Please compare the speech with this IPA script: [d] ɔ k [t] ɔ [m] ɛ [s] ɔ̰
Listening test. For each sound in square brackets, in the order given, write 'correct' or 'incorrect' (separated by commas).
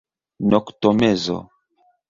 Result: incorrect, correct, correct, incorrect